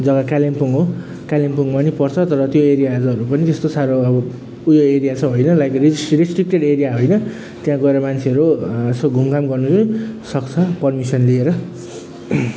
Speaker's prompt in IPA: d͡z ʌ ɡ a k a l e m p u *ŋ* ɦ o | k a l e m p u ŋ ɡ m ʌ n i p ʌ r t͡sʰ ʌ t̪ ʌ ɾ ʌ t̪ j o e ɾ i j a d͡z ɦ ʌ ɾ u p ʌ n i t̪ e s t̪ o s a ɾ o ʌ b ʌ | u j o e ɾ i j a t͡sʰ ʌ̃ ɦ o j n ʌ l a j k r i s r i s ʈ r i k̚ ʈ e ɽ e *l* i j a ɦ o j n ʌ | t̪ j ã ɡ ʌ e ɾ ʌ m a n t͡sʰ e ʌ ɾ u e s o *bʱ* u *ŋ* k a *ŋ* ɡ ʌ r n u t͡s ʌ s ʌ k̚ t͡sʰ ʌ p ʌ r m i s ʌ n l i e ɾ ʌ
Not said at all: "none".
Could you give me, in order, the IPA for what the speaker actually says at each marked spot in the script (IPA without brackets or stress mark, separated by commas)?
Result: ŋ, ɾ, ɡʱ, m, m